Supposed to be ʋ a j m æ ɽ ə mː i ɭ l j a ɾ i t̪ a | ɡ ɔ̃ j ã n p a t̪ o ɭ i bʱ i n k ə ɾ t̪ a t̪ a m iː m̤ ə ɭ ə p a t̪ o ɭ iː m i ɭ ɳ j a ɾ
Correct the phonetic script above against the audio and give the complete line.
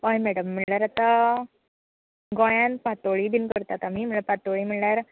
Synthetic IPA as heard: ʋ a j m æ ɽ ə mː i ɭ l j a ɾ a t̪ a | ɡ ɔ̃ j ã n p a t̪ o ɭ i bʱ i n k ə ɾ t̪ a t̪ a m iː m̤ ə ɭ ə p a t̪ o ɭ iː m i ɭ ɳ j a ɾ

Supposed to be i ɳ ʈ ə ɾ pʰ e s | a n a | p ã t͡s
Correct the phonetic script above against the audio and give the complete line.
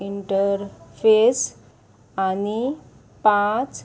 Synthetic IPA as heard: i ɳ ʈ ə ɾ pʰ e s | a n i | p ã t͡s

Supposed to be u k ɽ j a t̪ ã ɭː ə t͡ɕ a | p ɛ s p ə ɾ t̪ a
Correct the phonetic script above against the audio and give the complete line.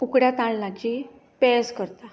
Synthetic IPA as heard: u k ɽ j a t̪ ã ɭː a t͡ɕ i | p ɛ s k ə ɾ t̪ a

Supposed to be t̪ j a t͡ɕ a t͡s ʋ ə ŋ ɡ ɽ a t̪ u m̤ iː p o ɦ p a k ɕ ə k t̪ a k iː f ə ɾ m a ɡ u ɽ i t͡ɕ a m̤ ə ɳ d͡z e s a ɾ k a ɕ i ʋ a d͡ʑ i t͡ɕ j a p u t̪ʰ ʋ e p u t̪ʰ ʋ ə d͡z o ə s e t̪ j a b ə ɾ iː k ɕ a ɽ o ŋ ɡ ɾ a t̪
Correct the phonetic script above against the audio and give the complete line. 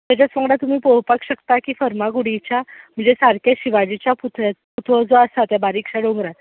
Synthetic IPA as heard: t̪ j a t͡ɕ a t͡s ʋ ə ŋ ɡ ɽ a t̪ u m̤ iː p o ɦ p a k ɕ ə k t̪ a k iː f ə ɾ m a ɡ u ɽ i t͡ɕ a m̤ ə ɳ d͡z e s a ɾ k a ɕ i ʋ a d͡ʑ i t͡ɕ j a p u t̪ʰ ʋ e p u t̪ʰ ʋ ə d͡z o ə s a t̪ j a b a ɾ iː k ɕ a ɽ o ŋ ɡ ɾ a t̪

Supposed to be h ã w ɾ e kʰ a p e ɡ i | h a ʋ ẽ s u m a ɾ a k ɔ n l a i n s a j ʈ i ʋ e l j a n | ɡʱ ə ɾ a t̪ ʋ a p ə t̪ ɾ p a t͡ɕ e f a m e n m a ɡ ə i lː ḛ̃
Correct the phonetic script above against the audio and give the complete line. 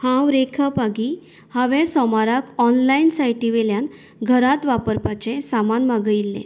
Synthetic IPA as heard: h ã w ɾ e kʰ a p a ɡ i | h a ʋ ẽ s ɔ m a ɾ a k ɔ n l a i n s a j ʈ i ʋ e l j a n | ɡʱ ə ɾ a t̪ ʋ a p ə ɾ p a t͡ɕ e s a m a n m a ɡ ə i lː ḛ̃

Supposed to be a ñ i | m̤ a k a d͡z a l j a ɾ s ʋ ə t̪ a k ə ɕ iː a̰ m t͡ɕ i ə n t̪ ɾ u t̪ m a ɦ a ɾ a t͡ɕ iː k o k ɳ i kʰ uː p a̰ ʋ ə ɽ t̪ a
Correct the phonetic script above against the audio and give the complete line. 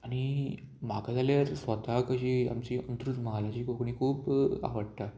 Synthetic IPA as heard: a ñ i | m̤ a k a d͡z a l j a ɾ s ʋ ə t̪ a k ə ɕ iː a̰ m t͡ɕ i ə n t̪ ɾ u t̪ m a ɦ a l a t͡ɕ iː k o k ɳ i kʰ uː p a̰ ʋ ə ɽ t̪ a

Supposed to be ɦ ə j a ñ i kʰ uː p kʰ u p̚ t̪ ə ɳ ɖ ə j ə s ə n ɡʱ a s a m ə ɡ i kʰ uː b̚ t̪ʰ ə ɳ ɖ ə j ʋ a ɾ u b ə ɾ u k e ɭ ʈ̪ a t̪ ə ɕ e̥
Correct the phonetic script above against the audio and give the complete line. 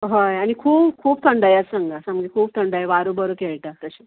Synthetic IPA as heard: ɦ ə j a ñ i kʰ uː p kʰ uː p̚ t̪ʰ ə ɳ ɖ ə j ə s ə ŋ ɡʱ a s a m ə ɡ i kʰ uː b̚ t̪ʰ ə ɳ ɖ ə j ʋ a ɾ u b ə ɾ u k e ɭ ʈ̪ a t̪ ə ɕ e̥

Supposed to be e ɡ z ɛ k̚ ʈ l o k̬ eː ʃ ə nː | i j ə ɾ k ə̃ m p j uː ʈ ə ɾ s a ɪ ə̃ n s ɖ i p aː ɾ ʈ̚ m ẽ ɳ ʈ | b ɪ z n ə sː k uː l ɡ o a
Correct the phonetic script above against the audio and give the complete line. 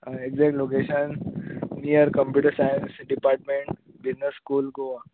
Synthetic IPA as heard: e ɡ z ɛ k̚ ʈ l o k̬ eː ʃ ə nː | i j ə ɾ k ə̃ m p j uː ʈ ə ɾ s a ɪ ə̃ n s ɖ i p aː ɾ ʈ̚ m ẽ ɳ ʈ | b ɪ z n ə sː k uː l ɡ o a

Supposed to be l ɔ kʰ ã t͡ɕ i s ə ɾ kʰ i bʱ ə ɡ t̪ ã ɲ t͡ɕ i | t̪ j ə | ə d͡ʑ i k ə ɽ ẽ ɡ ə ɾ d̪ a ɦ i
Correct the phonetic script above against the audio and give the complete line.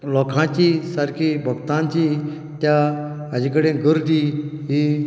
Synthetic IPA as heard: l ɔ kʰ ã t͡ɕ i s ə ɾ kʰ i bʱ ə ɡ t̪ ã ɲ t͡ɕ i | t̪ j a | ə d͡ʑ i k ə ɽ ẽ ɡ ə ɾ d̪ i ɦ i

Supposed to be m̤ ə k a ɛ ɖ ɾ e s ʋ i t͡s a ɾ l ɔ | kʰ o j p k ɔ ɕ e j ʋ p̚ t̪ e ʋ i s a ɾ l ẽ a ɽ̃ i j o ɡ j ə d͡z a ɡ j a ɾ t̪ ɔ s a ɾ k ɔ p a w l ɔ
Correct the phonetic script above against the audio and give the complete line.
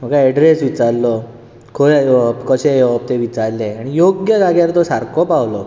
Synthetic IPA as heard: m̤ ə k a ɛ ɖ ɾ e s ʋ i t͡s a ɾ l ɔ | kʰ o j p k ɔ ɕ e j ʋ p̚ t̪ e ʋ i t͡s a ɾ l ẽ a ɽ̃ i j o ɡ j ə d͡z a ɡ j a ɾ t̪ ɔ s a ɾ k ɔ p a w l ɔ

